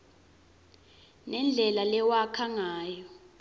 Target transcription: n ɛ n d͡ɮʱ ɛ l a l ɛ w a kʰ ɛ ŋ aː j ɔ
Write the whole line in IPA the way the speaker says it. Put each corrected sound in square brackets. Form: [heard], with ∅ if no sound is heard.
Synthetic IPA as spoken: n ɛ n d͡ɮʱ ɛ l a l ɛ w a kʰ [a] ŋ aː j ɔ